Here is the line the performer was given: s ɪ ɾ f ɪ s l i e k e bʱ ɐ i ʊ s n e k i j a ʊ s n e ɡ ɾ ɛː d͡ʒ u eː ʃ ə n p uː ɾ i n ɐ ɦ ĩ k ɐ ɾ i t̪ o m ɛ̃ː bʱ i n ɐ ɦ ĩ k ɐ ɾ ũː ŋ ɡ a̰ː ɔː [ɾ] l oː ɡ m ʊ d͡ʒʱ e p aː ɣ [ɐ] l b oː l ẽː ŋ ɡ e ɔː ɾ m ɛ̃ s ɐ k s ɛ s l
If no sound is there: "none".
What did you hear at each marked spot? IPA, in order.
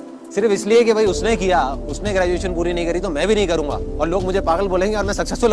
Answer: ɾ, ə

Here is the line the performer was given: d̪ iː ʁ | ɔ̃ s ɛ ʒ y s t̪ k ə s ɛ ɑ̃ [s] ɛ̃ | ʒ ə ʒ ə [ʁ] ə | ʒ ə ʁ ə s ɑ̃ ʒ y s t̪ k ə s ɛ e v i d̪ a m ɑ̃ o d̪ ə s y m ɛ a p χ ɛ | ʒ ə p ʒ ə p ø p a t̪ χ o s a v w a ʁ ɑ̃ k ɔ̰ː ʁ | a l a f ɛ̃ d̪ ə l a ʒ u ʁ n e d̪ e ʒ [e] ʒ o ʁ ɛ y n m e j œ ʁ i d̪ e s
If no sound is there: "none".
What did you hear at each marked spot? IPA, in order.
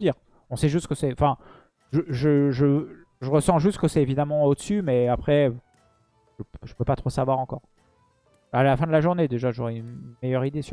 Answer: f, ʒ, a

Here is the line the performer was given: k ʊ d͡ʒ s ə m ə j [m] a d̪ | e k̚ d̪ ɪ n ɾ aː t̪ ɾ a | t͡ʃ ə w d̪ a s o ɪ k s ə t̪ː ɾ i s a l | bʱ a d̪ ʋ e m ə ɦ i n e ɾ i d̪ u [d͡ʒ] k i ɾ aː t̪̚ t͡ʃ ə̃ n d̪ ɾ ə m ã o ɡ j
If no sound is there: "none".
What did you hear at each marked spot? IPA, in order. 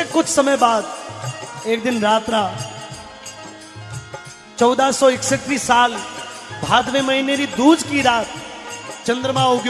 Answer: b, d͡ʒ

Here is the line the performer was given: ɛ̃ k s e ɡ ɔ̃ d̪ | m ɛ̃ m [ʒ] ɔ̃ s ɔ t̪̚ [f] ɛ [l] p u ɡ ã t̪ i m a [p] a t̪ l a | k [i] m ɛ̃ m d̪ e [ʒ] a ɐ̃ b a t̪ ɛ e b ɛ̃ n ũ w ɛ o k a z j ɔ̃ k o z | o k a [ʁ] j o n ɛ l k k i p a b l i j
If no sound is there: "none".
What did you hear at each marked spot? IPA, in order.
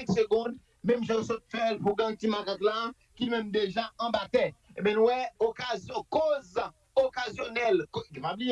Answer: ʒ, f, l, k, i, ʒ, z

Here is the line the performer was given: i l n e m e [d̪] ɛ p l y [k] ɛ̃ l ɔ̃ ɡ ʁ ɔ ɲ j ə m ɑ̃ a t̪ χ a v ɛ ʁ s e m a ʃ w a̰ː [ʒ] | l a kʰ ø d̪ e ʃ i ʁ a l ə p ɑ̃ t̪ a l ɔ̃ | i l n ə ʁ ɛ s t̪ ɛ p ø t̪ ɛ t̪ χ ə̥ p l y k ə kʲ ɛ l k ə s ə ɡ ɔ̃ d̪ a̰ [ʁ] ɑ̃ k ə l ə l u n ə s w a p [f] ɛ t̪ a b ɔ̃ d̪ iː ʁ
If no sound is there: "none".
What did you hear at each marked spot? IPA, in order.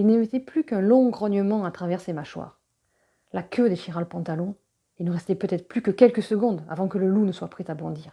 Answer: t̪, k, ʁ, v, χ

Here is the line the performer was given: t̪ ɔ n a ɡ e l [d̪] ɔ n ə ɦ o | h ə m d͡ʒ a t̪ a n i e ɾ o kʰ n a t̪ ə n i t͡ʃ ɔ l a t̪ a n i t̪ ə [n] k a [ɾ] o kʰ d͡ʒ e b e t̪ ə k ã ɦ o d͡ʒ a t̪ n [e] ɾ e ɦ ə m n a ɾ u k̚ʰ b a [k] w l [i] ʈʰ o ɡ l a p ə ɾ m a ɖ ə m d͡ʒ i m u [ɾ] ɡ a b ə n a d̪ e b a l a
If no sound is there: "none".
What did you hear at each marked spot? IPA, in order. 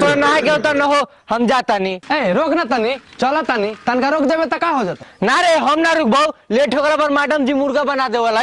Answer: t̪, n, ɾ, a, none, e, ɾ

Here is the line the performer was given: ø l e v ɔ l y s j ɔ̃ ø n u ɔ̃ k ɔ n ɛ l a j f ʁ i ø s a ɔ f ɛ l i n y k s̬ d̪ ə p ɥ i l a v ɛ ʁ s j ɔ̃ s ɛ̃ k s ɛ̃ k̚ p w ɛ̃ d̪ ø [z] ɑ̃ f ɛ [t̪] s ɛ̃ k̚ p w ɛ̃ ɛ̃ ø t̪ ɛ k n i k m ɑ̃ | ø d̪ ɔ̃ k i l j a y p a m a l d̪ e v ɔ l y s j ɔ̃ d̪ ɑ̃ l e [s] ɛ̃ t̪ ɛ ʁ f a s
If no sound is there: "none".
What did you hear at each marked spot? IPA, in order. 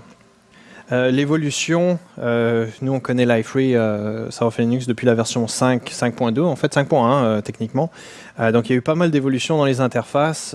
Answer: none, t̪, z

